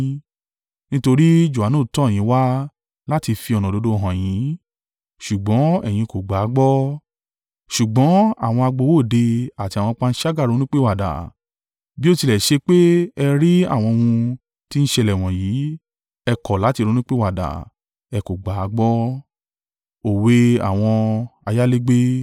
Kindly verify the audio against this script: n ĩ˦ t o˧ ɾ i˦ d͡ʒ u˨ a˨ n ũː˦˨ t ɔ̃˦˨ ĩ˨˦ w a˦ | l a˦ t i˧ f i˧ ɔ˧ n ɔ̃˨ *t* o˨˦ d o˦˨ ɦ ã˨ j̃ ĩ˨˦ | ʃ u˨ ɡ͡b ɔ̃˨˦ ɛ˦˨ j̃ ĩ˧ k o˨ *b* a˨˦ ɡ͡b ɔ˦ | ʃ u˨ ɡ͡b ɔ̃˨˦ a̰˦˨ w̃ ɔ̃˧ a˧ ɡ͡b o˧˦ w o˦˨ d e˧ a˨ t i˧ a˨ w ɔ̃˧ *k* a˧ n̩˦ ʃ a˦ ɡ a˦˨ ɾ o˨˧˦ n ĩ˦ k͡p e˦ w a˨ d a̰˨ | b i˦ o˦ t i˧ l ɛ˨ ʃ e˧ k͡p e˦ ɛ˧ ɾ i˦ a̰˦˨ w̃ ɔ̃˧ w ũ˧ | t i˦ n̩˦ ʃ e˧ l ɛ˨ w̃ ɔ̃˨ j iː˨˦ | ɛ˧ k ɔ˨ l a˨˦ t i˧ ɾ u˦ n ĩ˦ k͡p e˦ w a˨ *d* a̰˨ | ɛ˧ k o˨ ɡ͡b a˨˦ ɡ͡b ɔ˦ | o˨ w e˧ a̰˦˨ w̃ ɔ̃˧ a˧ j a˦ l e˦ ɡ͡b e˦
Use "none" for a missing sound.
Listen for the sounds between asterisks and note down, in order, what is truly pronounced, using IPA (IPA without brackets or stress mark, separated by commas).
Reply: d, ɡ͡b, k͡p, d